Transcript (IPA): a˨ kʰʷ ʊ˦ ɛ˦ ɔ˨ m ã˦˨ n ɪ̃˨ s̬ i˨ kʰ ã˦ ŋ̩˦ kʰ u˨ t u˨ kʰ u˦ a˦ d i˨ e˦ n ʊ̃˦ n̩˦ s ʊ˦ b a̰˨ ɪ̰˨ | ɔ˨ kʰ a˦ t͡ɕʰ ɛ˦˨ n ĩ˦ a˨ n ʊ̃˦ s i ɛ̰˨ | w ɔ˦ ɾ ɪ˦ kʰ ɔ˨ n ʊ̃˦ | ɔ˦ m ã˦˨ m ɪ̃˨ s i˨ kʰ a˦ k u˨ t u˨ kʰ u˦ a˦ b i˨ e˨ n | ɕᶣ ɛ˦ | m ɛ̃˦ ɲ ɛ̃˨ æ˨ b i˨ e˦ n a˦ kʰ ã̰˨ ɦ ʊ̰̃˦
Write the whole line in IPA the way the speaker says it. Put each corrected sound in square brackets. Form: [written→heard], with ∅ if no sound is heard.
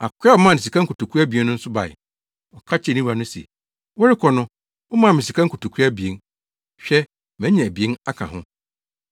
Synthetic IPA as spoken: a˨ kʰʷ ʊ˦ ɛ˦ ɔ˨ m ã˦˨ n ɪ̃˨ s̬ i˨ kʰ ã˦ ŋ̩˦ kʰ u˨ t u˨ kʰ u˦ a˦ [d→b] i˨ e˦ n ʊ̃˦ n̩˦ s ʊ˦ b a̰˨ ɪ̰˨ | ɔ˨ kʰ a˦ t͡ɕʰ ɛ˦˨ n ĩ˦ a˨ n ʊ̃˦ s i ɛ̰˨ | w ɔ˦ ɾ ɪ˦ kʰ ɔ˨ n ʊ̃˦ | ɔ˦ m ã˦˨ m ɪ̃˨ s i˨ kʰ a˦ k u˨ t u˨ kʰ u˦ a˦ b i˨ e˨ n | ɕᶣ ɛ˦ | m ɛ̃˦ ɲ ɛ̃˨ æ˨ b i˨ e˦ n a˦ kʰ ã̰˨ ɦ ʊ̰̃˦

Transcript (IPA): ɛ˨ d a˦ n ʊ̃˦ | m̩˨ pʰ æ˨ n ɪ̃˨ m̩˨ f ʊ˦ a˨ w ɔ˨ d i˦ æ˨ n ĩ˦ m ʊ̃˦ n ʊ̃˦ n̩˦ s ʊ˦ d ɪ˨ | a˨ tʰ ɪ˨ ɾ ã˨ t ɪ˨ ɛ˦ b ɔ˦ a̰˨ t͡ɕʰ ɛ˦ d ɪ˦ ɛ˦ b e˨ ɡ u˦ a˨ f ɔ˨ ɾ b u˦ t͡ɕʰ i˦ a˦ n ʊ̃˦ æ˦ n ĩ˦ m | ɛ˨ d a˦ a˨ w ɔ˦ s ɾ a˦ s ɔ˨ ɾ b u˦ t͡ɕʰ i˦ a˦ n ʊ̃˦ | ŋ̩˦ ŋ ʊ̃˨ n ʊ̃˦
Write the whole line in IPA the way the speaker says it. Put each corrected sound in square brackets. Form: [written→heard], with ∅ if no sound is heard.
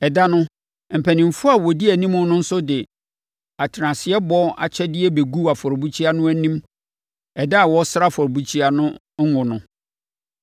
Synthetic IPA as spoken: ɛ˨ d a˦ n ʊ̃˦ | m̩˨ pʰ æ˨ n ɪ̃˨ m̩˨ f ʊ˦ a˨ w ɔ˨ d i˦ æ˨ n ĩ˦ m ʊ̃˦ n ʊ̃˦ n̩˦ s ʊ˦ d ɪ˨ | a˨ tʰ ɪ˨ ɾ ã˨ [t→s] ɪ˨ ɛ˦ b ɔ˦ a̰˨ t͡ɕʰ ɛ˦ d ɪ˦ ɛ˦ b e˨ ɡ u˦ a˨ f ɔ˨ ɾ b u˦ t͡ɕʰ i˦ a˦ n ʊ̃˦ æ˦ n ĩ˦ m | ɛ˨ d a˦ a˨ w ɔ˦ s ɾ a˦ [s→f] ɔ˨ ɾ b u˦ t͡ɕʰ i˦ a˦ n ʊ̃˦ | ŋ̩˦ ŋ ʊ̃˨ n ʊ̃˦

